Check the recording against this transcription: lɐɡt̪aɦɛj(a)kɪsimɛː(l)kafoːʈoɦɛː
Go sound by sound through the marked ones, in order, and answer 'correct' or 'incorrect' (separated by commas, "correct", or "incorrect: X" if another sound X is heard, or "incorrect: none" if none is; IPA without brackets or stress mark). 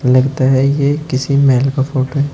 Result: incorrect: e, correct